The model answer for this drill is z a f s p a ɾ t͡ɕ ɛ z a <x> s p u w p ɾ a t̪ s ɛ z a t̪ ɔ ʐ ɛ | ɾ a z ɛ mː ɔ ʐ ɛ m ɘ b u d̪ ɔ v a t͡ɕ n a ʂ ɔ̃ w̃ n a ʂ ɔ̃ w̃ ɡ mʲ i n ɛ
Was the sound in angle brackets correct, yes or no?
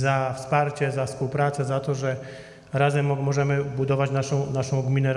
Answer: no